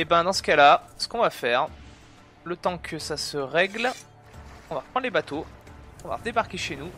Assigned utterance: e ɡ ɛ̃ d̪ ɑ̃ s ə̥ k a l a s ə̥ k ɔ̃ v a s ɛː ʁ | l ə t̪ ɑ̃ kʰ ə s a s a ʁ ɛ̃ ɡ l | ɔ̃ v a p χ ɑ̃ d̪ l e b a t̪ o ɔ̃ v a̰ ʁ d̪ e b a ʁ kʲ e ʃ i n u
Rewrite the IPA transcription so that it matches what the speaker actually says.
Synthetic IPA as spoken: e b ɛ̃ d̪ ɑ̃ s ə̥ k a l a s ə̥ k ɔ̃ v a f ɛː ʁ | l ə t̪ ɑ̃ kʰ ə s a s ə ʁ ɛ ɡ l | ɔ̃ v a p χ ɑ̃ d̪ l e b a t̪ o ɔ̃ v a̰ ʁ d̪ e b a ʁ kʲ e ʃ e n u